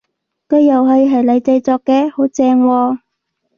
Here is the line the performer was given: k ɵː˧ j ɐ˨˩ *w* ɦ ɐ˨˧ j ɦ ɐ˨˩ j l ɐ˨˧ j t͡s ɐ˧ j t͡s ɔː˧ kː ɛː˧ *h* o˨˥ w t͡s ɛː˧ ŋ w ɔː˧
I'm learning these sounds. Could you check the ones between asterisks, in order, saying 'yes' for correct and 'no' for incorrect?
yes, yes

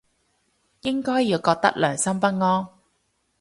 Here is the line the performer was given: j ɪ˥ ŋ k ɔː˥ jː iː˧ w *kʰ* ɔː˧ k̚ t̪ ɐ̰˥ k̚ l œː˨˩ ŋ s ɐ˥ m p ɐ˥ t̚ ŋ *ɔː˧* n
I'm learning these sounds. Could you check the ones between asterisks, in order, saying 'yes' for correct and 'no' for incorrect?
no, no

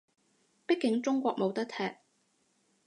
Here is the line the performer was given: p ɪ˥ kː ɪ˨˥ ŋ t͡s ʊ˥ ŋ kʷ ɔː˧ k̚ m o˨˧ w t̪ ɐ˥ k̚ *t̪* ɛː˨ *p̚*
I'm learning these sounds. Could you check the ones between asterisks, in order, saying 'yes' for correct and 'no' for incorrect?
no, no

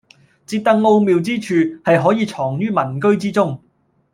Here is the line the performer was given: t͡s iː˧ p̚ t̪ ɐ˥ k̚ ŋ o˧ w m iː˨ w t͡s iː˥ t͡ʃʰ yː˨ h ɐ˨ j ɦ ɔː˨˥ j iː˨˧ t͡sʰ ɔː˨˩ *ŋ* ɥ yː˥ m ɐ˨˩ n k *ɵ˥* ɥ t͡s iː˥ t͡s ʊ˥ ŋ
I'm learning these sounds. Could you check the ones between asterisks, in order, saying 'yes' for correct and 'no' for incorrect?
yes, yes

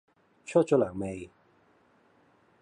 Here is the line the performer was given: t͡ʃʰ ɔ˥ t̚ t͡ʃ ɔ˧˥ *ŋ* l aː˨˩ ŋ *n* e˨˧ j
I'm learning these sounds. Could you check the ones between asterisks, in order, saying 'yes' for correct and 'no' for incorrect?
no, no

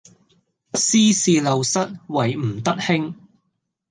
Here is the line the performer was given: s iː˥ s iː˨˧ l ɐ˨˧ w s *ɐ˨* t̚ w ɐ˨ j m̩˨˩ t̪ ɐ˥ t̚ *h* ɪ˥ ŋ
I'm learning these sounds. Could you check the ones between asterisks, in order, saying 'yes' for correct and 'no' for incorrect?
no, yes

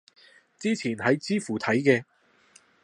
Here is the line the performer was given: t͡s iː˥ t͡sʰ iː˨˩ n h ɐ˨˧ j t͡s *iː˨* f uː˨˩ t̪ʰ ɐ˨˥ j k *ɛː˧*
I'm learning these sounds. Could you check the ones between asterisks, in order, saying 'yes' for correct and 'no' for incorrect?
no, yes

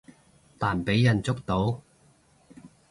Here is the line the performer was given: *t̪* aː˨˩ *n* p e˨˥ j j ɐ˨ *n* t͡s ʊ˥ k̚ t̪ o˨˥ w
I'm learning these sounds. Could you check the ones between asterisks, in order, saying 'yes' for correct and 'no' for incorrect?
yes, yes, yes

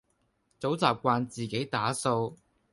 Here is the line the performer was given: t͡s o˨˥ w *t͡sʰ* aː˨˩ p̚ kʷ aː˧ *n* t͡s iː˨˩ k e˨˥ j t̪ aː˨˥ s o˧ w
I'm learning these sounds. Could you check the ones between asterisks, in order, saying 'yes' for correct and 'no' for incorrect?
no, yes

